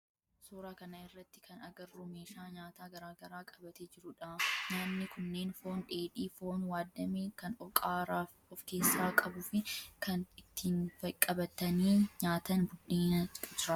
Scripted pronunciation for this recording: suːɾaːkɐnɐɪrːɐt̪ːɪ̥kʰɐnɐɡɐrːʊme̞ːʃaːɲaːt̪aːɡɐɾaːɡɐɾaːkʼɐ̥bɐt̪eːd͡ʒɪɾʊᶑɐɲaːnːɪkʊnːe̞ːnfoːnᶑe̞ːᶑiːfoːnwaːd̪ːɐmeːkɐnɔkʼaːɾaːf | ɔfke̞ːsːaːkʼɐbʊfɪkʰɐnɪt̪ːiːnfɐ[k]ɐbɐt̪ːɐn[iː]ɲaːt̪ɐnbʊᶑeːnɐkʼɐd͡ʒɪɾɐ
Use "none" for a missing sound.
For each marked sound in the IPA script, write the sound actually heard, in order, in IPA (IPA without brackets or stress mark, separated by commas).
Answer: kʼ, iː